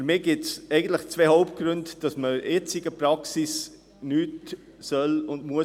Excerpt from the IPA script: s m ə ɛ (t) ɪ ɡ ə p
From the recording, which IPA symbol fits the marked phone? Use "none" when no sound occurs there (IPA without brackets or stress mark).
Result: t͡s